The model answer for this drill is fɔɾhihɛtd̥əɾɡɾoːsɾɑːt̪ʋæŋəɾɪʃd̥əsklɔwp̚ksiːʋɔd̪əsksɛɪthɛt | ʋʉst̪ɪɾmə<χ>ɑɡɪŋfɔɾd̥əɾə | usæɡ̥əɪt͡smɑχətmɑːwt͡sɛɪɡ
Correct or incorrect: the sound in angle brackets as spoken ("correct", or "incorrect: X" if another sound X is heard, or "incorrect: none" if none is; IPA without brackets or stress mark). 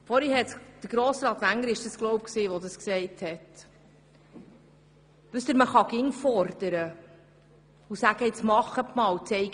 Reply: correct